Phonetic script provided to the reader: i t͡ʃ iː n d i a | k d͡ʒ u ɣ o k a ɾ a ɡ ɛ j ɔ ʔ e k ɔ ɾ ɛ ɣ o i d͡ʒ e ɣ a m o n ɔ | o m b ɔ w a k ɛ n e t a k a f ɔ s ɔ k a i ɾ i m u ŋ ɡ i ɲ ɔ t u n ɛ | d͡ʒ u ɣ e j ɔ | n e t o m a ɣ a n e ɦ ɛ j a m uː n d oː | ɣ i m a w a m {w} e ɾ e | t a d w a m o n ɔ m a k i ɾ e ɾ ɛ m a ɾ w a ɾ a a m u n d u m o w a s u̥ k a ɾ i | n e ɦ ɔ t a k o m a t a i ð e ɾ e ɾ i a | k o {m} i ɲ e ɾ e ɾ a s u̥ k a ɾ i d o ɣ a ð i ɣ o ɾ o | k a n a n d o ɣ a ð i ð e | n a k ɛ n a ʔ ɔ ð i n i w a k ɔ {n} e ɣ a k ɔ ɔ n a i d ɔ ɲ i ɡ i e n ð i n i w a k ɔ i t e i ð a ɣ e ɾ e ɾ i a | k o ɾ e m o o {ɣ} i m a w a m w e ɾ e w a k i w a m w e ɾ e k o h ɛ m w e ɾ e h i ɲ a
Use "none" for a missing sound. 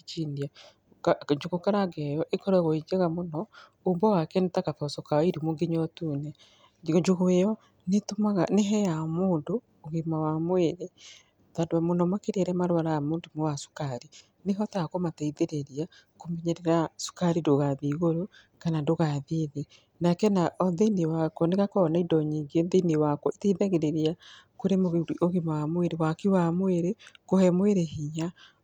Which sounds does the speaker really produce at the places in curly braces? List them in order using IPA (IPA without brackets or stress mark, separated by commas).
w, m, n, ɣ